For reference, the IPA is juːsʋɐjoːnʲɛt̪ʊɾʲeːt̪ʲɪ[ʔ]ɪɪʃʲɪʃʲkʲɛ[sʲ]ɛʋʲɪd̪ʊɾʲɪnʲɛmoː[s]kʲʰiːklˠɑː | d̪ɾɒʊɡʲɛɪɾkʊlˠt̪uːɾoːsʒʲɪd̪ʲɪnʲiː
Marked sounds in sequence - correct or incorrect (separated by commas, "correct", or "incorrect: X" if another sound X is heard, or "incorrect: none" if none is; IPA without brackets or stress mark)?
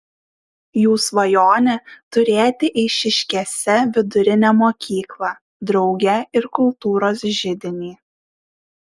correct, correct, incorrect: none